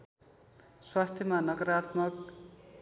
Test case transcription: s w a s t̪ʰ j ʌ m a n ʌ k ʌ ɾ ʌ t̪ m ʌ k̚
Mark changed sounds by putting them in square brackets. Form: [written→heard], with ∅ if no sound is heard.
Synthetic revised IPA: s w a s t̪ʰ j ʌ m a n ʌ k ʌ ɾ [ʌ→a] t̪ m ʌ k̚